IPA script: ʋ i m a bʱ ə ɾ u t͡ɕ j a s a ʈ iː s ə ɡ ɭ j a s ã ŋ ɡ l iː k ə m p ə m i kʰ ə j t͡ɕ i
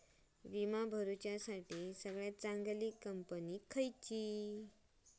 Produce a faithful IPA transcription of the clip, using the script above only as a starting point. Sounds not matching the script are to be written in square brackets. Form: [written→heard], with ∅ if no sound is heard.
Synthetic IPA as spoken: ʋ i m a bʱ ə ɾ u t͡ɕ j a s a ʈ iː s ə ɡ ɭ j a [s→t͡s] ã ŋ ɡ l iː k ə m p ə [m→n] i kʰ ə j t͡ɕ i